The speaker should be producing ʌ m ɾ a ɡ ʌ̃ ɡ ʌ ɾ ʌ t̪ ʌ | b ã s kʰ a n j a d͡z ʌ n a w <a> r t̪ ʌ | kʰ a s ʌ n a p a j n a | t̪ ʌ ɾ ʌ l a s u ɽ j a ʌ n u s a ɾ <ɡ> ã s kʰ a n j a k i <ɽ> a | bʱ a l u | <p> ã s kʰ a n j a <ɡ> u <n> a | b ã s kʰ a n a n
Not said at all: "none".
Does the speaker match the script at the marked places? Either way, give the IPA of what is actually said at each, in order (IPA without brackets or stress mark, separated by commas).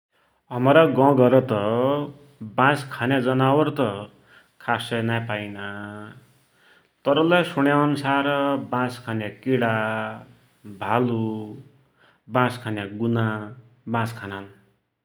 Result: ʌ, b, ɽ, b, ɡ, n